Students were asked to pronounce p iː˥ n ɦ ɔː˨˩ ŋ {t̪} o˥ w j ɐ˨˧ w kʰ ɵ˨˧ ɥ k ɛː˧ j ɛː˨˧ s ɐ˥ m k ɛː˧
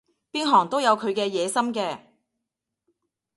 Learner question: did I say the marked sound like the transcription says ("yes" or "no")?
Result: yes